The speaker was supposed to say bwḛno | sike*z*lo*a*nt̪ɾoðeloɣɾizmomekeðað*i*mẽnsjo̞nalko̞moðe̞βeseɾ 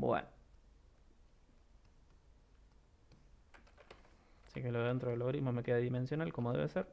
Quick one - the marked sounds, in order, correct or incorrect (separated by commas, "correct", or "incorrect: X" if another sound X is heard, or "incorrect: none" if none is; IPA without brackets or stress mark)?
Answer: incorrect: none, incorrect: e, correct